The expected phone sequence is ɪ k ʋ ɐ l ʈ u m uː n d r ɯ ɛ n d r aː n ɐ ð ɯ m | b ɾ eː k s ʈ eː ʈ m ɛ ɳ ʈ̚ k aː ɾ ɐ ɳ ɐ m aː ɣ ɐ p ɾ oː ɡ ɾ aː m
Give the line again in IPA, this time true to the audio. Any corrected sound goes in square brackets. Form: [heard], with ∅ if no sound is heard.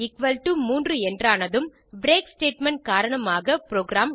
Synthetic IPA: ɪ k ʋ ɐ l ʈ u m uː n d r ɯ ɛ n d r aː n ɐ ð ɯ m | b ɾ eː k s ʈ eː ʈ m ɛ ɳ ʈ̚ k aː ɾ ɐ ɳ ɐ m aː ɣ ɐ p ɾ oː ɡ ɾ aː m